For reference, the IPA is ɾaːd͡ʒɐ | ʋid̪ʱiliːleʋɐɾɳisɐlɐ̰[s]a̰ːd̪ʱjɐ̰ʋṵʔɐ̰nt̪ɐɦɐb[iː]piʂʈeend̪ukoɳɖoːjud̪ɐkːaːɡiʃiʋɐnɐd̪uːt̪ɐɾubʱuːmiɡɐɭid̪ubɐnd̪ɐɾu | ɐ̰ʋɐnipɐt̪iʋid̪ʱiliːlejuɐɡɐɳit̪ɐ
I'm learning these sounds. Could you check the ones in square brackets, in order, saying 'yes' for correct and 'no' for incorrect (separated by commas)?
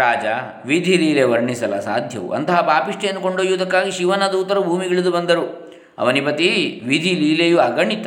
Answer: yes, no